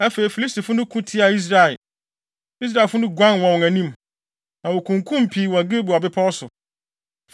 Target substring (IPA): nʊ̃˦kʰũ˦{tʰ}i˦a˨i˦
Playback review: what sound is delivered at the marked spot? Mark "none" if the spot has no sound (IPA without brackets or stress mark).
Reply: tʰ